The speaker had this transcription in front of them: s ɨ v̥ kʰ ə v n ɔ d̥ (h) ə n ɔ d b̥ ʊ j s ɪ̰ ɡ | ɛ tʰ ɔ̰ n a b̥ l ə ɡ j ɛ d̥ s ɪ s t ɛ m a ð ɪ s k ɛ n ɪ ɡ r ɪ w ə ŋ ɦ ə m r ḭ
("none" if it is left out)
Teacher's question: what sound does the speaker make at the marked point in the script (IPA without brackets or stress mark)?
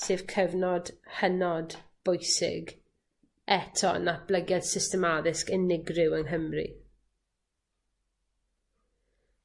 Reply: h